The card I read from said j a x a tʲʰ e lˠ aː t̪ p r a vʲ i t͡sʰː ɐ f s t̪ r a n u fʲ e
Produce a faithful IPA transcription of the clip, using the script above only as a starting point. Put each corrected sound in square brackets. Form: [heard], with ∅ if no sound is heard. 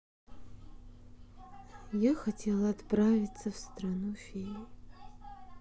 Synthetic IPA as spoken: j a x a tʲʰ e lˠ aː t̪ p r a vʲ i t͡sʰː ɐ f s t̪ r a n u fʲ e